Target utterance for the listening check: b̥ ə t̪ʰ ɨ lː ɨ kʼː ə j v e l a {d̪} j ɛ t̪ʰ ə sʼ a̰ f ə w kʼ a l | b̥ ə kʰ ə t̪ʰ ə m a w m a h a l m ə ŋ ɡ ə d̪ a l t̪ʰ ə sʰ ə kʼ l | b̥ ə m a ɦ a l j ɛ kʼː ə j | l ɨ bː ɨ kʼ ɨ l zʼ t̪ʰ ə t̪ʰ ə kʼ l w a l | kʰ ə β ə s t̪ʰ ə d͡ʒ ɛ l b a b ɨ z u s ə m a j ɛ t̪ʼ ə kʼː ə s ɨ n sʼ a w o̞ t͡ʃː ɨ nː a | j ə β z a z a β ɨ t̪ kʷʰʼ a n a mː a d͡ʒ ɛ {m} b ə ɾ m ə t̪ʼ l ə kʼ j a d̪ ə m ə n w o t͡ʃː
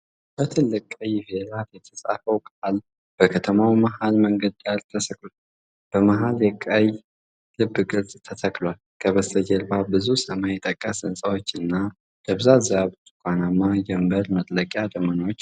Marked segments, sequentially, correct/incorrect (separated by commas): incorrect, correct